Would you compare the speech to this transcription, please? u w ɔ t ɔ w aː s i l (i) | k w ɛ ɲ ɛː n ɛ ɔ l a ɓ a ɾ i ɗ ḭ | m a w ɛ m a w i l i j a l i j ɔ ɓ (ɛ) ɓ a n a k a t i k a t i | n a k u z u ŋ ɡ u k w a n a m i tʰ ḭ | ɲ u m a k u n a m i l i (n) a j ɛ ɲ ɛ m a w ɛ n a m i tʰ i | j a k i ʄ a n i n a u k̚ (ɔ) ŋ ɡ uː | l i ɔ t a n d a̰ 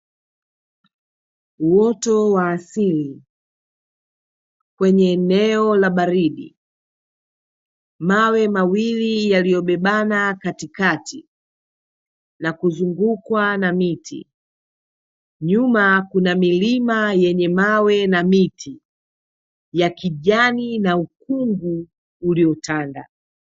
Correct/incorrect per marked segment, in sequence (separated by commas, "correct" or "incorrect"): correct, correct, incorrect, incorrect